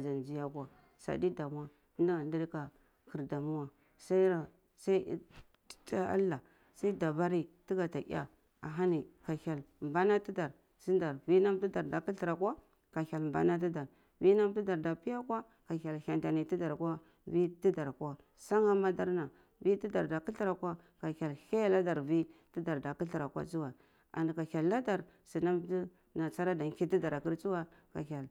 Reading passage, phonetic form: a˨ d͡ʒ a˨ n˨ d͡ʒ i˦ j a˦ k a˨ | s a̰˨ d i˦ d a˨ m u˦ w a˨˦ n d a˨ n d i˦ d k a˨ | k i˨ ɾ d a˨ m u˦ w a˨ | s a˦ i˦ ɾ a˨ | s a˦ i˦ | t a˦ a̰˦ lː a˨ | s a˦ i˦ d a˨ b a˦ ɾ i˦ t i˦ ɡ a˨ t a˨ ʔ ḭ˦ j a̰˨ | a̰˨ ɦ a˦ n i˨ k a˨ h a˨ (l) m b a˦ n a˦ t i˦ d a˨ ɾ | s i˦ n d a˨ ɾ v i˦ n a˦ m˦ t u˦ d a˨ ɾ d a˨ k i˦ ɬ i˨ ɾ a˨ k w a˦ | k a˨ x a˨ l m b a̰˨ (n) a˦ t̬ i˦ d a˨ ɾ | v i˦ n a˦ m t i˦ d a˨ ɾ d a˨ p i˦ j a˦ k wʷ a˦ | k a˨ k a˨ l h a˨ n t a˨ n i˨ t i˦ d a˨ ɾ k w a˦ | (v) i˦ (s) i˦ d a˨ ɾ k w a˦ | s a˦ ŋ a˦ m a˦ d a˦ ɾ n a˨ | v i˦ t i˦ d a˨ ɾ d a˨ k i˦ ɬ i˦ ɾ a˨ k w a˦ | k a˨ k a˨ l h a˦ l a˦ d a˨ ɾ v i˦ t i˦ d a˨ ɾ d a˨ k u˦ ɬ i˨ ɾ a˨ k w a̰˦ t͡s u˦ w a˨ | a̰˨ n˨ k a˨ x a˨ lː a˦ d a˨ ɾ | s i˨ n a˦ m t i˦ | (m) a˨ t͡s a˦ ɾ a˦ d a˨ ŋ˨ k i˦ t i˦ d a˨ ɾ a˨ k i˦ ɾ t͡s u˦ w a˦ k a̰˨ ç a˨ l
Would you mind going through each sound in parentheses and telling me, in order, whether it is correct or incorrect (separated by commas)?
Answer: correct, correct, correct, incorrect, incorrect